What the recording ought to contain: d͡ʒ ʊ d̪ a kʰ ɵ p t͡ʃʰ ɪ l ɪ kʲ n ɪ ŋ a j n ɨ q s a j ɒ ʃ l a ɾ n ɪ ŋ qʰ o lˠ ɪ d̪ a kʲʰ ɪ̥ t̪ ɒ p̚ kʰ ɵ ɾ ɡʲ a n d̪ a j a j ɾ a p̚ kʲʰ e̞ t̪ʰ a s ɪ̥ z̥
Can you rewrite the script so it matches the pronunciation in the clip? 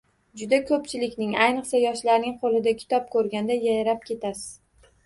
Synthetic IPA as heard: d͡ʒ ʊ d̪ a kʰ ɵ p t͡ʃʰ ɪ l ɪ kʲ n ɪ ŋ a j n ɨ q s a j ɒ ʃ l a ɾ n ɪ ŋ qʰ o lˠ ɪ d̪ a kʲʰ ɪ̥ t̪ ɒ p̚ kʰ ɵ ɾ ɡʲ a n d̪ a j a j ɾ a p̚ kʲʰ e̞ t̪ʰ a s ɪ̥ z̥